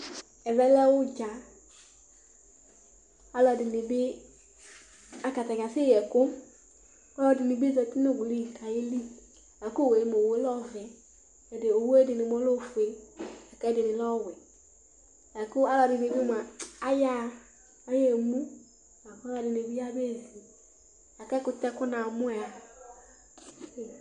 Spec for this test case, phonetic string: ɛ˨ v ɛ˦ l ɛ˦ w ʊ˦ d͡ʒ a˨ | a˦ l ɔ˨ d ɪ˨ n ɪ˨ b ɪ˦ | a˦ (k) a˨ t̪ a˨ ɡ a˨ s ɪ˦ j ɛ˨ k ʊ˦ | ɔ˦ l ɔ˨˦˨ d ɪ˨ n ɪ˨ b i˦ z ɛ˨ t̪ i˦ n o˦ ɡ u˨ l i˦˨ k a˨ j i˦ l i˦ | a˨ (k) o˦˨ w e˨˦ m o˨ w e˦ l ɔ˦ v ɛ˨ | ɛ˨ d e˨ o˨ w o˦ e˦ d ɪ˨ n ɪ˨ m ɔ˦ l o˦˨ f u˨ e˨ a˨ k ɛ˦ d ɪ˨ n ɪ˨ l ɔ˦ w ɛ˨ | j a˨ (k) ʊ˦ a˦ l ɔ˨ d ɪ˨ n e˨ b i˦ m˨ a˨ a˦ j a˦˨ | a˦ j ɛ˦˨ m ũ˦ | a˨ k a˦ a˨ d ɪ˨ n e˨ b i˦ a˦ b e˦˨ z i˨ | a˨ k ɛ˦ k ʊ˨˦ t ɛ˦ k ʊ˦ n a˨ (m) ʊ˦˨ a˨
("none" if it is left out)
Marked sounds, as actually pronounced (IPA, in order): k, k, k, m

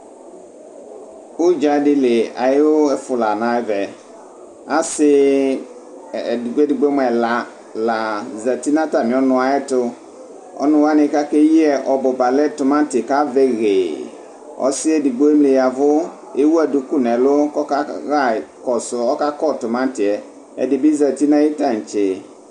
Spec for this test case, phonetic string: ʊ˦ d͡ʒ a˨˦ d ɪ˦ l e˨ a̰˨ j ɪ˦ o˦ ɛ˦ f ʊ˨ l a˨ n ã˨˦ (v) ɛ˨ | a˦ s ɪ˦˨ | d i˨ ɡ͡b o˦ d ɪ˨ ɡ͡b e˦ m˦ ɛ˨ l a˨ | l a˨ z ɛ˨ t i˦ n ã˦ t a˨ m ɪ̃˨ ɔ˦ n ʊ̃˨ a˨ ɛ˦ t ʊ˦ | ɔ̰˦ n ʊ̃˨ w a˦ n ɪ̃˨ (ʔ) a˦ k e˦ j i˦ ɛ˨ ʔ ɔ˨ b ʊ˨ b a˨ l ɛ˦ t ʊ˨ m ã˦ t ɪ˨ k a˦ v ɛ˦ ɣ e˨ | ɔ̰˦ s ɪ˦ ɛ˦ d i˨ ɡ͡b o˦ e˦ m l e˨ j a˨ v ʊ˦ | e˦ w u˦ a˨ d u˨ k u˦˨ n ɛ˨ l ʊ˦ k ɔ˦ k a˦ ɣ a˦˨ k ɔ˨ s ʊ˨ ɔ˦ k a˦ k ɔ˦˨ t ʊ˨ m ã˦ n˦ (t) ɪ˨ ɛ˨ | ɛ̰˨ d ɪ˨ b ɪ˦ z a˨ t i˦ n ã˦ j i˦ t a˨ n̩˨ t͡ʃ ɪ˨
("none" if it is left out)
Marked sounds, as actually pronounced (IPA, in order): v, k, t

